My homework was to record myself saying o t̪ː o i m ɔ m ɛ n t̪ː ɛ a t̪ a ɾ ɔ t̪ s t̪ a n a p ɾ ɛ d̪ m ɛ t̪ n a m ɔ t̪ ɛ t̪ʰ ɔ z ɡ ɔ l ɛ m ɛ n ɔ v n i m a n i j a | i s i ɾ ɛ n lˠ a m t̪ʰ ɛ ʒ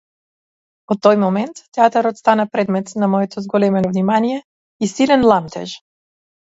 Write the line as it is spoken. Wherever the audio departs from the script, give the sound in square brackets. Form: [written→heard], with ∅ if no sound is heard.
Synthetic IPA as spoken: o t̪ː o [i→j] m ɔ m ɛ n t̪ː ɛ a t̪ a ɾ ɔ t̪ s t̪ a n a p ɾ ɛ d̪ m ɛ t̪ n a m ɔ [t̪→∅] ɛ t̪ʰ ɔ z ɡ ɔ l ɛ m ɛ n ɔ v n i m a n i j [a→ɛ] | i s i [ɾ→l] ɛ n lˠ a m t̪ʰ ɛ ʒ